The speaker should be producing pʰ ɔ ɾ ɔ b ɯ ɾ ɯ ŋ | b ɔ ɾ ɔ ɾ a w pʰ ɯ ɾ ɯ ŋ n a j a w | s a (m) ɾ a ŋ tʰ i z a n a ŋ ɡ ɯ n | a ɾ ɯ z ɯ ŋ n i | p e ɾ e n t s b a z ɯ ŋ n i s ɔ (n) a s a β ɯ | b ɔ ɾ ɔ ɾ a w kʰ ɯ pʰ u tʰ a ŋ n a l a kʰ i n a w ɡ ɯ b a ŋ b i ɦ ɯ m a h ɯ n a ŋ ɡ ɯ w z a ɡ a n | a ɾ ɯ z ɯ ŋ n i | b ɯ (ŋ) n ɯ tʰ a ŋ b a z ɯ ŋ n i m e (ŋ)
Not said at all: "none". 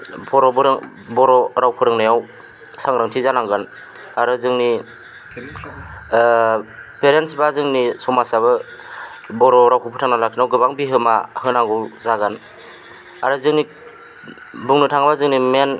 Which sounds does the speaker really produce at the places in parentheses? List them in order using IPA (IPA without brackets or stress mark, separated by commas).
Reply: ŋ, m, ŋ, n